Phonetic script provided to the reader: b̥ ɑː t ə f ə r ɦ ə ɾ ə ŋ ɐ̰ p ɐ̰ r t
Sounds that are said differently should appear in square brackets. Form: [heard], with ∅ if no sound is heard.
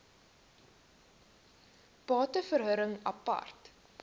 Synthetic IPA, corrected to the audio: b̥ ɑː t ə f ə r ɦ ə ɾ ə ŋ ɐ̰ p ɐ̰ r t